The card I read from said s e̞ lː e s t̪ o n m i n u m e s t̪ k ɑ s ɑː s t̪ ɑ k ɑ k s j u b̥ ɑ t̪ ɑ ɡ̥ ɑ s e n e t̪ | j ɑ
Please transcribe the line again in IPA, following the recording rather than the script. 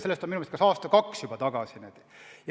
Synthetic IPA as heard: s e̞ lː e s t̪ o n m i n u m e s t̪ k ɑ s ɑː s t̪ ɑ k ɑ k s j u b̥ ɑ t̪ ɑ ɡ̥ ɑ s i n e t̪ | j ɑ